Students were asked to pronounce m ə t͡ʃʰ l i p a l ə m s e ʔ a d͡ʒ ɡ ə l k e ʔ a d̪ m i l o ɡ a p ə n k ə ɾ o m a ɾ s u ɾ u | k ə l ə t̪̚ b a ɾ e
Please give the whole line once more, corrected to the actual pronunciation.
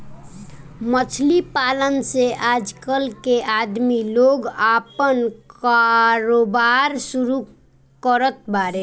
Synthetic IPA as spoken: m ə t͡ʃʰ l i p a l ə n s e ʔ a d͡ʒ k ə l k e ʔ a d̪ m i l o ɡ a p ə n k a ɾ o b a ɾ s u ɾ u | k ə ɾ ə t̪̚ b a ɾ e